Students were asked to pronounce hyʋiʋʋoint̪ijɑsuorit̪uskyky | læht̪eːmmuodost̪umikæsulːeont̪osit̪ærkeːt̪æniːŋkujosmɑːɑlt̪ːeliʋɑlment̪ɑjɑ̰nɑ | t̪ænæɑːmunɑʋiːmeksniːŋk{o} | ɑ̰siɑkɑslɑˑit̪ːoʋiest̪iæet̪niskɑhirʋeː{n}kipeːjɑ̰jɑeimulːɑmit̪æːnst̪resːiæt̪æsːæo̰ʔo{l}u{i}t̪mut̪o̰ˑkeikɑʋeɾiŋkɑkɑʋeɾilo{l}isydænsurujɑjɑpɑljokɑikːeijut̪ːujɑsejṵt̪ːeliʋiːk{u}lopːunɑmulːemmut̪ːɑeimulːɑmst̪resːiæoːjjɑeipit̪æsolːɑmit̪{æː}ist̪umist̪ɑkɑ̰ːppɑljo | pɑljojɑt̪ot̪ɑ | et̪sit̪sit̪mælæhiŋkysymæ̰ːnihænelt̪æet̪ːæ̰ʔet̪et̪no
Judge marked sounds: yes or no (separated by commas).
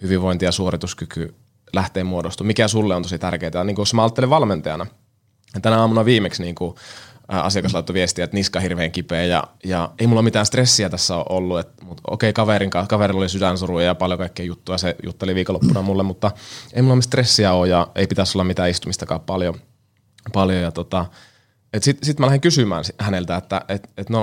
no, no, no, no, yes, no, yes